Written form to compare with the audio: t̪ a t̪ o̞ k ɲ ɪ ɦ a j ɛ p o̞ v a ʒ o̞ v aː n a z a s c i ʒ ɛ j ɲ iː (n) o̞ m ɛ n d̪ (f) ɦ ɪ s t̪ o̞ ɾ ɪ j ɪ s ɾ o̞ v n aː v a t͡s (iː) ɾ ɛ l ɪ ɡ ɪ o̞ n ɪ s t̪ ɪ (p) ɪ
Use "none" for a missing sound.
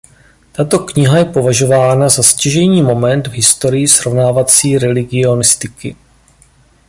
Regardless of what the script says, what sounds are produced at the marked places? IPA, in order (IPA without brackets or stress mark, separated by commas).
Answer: m, v, iː, k